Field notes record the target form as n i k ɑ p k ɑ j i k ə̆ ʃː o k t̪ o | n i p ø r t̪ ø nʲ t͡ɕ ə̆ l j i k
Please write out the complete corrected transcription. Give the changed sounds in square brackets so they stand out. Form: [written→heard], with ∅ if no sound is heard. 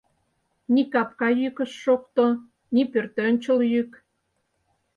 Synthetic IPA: n i k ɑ p k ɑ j [i→y] k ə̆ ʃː o k t̪ o | n i p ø r t̪ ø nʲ t͡ɕ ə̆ l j [i→y] k

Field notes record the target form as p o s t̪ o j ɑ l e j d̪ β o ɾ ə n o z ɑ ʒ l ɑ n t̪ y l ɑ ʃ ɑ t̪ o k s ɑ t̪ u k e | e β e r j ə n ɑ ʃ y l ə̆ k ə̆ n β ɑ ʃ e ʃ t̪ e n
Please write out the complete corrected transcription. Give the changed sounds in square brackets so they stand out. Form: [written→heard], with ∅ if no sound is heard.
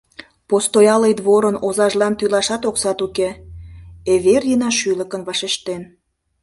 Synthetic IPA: p o s t̪ o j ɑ l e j d̪ β o ɾ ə n o z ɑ ʒ l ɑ n t̪ y l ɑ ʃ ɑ t̪ o k s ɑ t̪ u k e | e β e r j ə n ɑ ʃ y l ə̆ k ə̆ n β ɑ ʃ e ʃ t̪ e n

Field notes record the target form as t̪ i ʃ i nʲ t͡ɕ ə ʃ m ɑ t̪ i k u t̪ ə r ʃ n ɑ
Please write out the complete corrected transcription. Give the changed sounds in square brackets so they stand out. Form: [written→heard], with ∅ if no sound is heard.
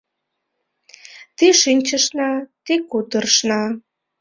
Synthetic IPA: t̪ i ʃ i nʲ t͡ɕ ə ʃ [m→n] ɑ t̪ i k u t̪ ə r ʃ n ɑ

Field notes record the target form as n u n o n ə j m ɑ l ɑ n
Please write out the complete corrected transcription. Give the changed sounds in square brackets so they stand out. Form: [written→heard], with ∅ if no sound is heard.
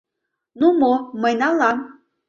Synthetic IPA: n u [n→m] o [n→m] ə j [m→n] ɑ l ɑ [n→m]

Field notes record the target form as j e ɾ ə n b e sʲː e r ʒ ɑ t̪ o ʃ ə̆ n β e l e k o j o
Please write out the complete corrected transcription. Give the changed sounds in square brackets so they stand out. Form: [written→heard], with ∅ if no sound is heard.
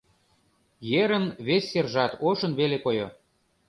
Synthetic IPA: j e ɾ ə n [b→β] e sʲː e r ʒ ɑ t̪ o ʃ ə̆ n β e l e k o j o

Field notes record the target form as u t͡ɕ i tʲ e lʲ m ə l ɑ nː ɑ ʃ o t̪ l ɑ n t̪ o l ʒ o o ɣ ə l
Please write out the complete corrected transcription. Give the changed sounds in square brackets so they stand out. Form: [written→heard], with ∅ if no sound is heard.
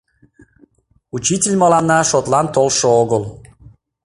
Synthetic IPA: u t͡ɕ i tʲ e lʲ m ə l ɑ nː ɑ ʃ o t̪ l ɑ n t̪ o l [ʒ→ʃ] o o ɣ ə l

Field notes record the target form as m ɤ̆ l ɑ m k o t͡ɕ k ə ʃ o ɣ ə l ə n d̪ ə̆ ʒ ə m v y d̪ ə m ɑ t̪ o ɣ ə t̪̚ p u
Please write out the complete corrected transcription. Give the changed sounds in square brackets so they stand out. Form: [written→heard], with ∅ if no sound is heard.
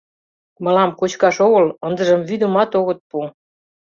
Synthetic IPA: m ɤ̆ l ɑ m k o t͡ɕ k [ə→ɑ] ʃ o ɣ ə l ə n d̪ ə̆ ʒ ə m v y d̪ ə m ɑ t̪ o ɣ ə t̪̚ p u

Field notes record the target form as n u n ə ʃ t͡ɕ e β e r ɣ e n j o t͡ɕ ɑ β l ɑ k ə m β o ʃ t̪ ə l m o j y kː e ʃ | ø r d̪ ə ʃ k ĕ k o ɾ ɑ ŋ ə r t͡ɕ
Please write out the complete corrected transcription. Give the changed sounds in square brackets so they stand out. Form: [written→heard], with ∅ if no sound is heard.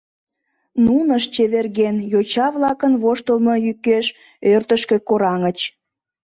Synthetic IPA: n u n ə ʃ t͡ɕ e β e r ɣ e n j o t͡ɕ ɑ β l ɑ k ə [m→n] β o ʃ t̪ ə l m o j y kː e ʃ | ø r [d̪→t̪] ə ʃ k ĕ k o ɾ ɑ ŋ ə [r→∅] t͡ɕ

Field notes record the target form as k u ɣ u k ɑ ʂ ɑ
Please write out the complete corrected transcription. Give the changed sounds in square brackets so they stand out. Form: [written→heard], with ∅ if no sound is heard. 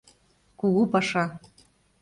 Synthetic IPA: k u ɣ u [k→p] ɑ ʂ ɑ

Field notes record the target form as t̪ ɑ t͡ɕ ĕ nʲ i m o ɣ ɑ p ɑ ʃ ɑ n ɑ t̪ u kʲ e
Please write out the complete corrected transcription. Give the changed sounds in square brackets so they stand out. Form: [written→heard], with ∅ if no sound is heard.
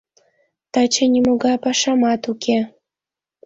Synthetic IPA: t̪ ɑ t͡ɕ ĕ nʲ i m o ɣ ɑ p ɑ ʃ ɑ [n→m] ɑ t̪ u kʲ e

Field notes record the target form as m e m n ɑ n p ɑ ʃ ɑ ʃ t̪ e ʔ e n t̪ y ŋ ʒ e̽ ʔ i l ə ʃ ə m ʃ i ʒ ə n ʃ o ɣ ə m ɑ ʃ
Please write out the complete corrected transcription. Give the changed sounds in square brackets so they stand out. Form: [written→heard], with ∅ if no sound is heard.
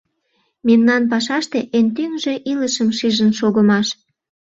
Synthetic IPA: m e m n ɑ n p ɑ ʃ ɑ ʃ t̪ e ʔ e n t̪ y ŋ ʒ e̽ ʔ i l ə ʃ ə m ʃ i ʒ ə n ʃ o ɣ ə m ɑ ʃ

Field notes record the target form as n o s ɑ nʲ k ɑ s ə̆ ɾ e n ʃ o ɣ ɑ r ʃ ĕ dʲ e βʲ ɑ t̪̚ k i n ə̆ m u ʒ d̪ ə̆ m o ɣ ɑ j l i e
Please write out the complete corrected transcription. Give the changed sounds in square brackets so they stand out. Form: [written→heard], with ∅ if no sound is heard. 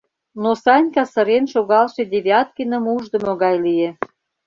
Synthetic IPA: n o s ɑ nʲ k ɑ s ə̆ ɾ e n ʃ o ɣ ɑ [r→l] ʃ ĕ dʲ e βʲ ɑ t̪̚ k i n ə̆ m u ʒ d̪ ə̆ m o ɣ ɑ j l i e

